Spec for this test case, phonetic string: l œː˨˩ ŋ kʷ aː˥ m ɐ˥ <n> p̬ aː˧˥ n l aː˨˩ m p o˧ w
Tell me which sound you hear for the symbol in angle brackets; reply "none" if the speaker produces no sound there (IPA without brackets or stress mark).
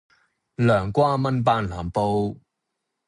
n